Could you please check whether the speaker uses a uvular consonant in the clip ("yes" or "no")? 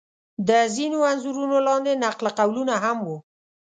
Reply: yes